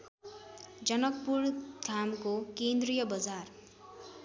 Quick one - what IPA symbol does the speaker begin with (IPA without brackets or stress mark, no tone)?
d͡z